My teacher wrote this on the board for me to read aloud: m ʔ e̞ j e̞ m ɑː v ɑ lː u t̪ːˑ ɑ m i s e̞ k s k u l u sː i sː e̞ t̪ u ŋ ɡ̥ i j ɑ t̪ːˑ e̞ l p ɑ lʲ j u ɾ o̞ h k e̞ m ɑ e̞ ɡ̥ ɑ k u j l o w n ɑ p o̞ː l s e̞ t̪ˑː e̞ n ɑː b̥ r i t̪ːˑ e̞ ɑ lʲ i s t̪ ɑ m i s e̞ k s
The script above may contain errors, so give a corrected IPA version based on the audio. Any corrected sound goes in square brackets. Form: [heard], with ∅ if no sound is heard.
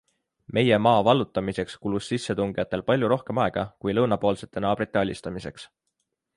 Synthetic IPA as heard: m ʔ e̞ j e̞ m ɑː v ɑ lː u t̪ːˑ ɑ m i s e̞ k s k u l u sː i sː e̞ t̪ u ŋ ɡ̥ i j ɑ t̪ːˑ e̞ l p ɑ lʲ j u ɾ o̞ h k e̞ m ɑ e̞ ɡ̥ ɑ k u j l [ɤ] w n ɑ p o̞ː l s e̞ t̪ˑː e̞ n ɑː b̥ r i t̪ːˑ e̞ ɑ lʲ i s t̪ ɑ m i s e̞ k s